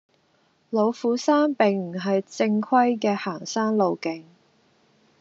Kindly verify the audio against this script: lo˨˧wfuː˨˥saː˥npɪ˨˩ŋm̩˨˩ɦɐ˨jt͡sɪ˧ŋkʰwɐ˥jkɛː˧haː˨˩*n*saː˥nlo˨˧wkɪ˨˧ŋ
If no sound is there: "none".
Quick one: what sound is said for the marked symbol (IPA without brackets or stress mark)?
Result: ŋ